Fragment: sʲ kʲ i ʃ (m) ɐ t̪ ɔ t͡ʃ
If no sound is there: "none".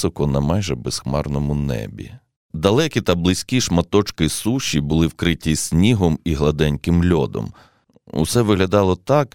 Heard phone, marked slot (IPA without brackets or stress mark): m